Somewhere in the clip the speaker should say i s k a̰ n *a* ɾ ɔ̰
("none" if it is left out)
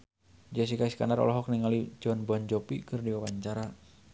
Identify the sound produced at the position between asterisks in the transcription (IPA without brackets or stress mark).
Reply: a